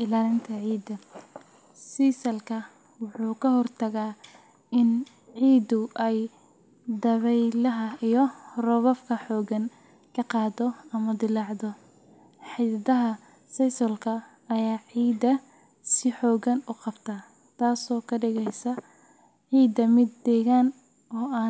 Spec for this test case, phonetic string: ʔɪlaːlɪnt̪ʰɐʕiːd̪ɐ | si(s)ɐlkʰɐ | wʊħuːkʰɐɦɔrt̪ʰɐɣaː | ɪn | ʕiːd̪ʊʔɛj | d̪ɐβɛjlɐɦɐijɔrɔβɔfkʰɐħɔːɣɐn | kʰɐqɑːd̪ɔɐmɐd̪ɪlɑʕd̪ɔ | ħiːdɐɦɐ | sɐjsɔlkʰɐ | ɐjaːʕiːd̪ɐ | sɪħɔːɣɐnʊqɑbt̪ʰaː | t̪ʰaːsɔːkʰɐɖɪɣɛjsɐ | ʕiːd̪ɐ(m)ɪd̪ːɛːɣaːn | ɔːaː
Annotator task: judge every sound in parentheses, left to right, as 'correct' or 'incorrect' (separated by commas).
correct, correct